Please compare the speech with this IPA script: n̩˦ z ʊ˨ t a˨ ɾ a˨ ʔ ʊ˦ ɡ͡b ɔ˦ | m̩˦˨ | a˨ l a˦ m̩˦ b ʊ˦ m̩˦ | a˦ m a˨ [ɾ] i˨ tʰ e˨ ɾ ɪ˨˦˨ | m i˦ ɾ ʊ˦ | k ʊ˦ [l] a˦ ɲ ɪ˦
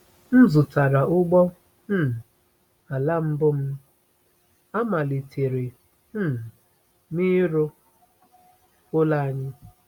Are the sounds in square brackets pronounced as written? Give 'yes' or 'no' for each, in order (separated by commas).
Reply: no, yes